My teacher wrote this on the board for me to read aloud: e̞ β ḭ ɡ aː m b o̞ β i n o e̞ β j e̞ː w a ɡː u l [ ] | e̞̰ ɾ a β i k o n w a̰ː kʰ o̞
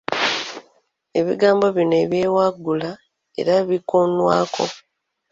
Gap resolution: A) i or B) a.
B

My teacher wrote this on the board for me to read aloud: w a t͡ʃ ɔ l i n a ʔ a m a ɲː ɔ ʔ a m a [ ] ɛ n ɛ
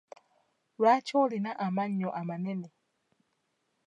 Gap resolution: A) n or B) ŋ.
A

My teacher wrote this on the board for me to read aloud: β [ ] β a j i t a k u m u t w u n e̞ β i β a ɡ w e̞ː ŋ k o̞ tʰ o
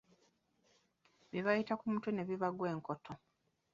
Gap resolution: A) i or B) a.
A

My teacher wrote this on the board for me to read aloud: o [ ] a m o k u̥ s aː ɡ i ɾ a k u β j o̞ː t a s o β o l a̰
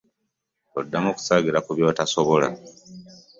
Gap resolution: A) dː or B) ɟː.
A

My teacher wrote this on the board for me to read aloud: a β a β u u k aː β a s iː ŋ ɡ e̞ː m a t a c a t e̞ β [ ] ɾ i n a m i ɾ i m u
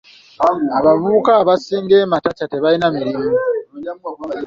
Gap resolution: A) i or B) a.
B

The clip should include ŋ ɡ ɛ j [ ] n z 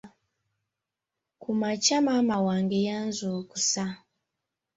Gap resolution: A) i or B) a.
B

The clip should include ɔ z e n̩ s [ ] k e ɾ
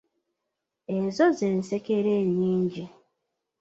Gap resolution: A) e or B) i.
A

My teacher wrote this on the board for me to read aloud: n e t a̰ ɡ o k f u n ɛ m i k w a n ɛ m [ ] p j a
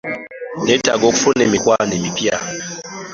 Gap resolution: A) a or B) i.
B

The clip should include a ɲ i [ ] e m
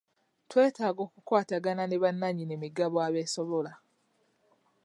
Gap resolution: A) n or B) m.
A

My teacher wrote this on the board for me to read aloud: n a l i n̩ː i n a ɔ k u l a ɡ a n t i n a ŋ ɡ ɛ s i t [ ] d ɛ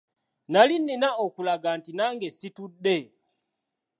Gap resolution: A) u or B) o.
A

